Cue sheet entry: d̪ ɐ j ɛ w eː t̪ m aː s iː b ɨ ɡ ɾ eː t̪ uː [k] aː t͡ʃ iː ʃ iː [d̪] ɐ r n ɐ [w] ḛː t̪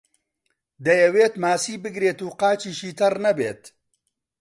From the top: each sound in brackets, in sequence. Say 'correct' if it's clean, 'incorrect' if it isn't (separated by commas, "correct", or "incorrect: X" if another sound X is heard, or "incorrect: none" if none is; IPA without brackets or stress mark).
incorrect: q, incorrect: t̪, incorrect: b